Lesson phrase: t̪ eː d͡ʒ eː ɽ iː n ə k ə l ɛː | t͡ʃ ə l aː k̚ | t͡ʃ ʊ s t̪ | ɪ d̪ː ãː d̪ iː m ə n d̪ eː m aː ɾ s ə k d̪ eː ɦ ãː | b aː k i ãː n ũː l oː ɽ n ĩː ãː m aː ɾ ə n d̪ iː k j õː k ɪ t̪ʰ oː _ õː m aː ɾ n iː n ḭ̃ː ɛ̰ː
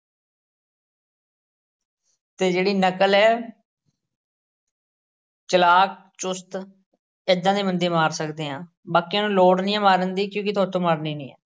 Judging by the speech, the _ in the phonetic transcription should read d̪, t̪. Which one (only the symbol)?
t̪